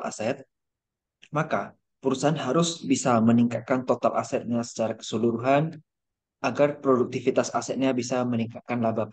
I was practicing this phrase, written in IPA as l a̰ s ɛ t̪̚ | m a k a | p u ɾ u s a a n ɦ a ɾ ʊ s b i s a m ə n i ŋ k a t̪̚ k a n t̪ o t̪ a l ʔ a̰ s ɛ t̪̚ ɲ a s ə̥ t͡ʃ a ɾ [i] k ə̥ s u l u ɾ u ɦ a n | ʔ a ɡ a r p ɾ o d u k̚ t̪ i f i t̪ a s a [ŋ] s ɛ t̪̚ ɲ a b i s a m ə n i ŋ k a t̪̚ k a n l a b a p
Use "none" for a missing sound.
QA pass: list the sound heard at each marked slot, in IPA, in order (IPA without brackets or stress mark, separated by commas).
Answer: a, none